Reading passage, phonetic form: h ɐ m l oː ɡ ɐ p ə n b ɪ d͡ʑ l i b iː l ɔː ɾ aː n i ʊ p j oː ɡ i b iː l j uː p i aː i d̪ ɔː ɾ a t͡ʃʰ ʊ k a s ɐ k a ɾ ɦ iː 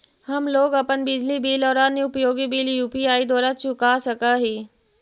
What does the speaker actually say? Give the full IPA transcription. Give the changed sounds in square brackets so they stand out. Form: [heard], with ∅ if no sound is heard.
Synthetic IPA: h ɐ m l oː ɡ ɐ p ə n b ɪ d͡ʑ l i b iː l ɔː ɾ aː n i ʊ p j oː ɡ i b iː l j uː p i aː i d̪ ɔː ɾ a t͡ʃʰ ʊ k a s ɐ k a [∅] ɦ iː